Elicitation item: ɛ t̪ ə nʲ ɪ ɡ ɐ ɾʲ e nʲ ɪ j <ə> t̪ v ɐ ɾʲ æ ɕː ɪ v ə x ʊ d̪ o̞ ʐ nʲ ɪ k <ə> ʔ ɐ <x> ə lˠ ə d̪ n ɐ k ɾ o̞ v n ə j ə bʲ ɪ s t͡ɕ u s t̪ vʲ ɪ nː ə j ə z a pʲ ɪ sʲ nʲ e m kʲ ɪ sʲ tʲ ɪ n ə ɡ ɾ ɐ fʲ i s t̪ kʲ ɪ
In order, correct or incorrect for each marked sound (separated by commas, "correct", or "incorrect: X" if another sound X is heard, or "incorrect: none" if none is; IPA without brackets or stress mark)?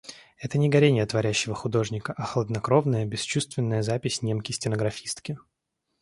correct, correct, correct